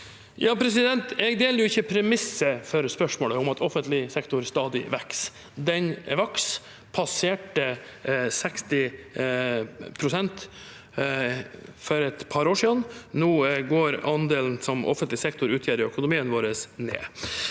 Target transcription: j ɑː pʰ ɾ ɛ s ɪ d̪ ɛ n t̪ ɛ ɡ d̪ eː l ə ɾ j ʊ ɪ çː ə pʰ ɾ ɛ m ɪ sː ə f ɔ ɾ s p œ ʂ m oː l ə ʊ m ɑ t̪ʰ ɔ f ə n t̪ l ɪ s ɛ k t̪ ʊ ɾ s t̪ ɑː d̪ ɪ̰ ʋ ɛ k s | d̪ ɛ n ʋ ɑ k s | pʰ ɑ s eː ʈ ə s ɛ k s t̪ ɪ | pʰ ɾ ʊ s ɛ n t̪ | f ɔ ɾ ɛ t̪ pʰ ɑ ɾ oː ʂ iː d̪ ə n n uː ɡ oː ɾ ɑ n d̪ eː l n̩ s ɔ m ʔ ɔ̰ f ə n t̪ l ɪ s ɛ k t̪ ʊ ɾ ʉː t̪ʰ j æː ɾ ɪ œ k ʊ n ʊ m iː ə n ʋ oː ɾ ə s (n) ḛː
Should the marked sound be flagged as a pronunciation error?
no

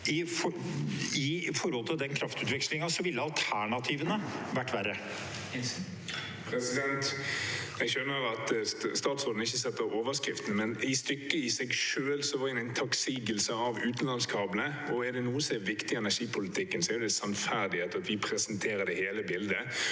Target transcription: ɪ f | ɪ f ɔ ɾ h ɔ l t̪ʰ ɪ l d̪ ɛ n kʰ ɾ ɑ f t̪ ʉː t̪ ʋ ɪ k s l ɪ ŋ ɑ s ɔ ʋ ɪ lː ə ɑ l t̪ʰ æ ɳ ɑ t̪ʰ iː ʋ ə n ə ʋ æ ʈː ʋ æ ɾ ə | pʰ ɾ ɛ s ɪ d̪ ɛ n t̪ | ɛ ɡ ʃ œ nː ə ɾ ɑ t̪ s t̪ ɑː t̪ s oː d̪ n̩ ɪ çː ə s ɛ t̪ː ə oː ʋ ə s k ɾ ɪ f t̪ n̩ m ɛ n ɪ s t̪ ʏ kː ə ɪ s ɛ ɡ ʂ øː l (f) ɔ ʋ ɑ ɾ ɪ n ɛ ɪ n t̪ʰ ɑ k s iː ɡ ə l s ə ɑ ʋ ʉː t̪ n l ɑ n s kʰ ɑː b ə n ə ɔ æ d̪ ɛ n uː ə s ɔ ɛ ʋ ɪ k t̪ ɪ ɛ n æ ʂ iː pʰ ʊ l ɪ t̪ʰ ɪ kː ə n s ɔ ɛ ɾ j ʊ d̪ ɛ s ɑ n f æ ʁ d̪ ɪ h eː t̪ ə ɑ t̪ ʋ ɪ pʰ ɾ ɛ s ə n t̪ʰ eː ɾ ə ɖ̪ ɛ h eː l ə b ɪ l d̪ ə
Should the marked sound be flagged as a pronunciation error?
yes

